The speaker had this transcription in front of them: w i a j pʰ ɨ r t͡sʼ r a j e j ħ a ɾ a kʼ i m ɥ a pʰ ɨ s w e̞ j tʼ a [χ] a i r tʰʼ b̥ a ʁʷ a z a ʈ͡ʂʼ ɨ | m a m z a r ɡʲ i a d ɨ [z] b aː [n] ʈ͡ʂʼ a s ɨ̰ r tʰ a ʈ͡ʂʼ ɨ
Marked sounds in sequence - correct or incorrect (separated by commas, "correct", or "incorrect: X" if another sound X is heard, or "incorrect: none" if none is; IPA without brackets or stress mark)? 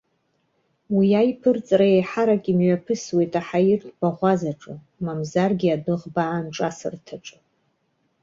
incorrect: ħ, incorrect: ʁ, correct